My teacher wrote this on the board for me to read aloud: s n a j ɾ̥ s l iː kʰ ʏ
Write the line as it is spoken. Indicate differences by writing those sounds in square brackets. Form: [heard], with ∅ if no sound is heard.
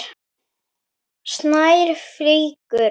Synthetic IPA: s n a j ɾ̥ [f] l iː [k] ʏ